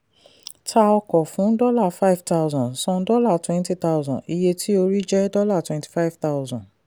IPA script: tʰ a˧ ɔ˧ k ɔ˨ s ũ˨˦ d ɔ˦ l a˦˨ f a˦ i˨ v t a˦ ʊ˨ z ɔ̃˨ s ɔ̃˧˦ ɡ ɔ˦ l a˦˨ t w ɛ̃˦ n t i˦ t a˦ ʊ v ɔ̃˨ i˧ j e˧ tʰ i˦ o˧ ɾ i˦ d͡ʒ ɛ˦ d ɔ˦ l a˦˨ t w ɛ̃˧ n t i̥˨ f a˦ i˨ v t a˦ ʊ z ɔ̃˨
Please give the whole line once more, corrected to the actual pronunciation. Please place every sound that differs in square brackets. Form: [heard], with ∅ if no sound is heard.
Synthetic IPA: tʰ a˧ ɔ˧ k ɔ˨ [f] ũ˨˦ d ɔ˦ l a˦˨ f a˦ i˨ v t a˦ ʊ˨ z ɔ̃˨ s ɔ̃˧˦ [d] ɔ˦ l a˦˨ t w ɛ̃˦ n t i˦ t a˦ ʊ [z] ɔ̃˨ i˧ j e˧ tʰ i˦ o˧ ɾ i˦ d͡ʒ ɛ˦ d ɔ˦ l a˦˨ t w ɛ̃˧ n t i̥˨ f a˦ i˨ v t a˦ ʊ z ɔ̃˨